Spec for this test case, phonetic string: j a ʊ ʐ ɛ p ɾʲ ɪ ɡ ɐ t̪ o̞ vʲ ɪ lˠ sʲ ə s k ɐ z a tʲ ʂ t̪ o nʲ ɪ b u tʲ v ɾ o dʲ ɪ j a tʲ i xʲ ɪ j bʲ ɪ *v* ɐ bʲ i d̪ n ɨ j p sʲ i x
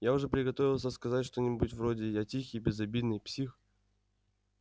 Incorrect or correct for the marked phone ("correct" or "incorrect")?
incorrect